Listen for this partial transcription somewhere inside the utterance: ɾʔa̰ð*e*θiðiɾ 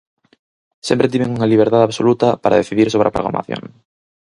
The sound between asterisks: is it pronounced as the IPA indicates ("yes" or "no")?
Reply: yes